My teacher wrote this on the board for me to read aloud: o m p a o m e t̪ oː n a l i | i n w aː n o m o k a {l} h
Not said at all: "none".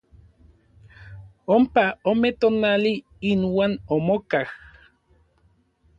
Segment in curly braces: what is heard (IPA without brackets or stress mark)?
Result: none